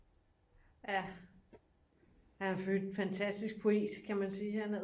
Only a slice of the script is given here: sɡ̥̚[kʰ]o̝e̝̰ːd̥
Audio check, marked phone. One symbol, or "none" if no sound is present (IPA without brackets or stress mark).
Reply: pʰ